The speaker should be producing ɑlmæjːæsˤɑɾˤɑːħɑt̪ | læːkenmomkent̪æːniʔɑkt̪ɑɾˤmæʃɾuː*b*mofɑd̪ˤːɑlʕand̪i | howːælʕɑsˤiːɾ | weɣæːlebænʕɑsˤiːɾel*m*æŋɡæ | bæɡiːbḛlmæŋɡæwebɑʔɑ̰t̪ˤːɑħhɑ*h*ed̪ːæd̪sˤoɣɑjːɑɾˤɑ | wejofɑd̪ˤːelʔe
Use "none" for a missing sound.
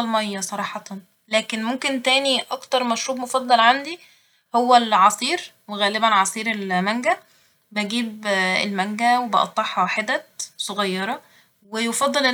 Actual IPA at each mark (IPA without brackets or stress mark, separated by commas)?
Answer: b, m, ħ